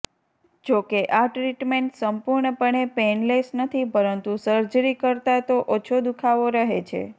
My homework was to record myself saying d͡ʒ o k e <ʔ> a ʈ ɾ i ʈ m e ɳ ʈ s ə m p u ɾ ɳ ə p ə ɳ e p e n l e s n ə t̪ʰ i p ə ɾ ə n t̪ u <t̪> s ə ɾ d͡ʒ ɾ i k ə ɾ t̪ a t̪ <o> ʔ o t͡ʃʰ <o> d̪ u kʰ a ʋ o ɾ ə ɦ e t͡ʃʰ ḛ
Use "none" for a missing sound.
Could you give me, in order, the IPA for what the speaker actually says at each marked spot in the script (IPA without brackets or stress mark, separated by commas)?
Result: ʔ, none, o, o